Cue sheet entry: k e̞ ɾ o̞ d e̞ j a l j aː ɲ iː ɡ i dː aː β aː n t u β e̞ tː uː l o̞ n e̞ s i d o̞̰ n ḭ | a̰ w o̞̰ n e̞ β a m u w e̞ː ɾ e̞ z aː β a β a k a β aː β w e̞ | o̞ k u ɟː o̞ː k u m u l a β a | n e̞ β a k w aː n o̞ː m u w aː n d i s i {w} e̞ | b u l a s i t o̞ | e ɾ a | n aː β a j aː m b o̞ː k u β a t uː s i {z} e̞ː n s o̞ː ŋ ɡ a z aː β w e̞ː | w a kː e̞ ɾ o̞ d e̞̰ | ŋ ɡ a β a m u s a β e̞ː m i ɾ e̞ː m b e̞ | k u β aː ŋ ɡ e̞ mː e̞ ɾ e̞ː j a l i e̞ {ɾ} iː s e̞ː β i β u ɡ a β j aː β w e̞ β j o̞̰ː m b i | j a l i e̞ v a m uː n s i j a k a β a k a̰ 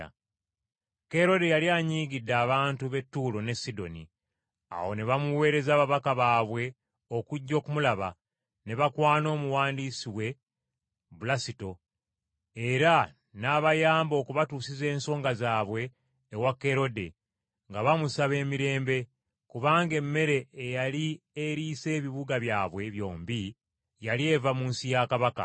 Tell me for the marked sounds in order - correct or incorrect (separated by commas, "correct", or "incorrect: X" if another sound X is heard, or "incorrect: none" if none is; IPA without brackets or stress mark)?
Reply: correct, correct, correct